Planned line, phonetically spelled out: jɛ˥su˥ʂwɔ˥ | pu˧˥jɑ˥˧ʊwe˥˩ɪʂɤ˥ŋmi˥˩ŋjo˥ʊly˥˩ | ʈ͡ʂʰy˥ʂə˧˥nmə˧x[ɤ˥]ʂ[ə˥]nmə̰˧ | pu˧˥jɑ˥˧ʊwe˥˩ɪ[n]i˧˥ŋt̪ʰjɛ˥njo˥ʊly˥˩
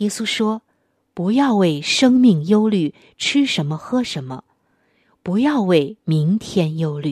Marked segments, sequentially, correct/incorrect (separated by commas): correct, incorrect, incorrect